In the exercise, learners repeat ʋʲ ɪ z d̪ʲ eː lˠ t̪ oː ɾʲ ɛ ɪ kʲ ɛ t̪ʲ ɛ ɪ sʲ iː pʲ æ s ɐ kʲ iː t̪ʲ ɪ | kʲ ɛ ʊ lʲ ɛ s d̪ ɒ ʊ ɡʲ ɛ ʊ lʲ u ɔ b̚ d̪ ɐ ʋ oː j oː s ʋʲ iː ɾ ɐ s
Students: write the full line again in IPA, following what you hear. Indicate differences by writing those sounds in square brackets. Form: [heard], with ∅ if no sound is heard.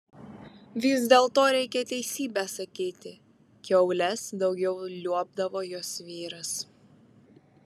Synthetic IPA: ʋʲ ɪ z d̪ʲ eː lˠ t̪ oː ɾʲ ɛ ɪ kʲ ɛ t̪ʲ ɛ ɪ sʲ iː [bʲ] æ s ɐ kʲ iː t̪ʲ ɪ | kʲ ɛ ʊ lʲ ɛ s d̪ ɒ ʊ ɡʲ ɛ ʊ lʲ u ɔ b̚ d̪ ɐ ʋ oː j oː s ʋʲ iː ɾ ɐ s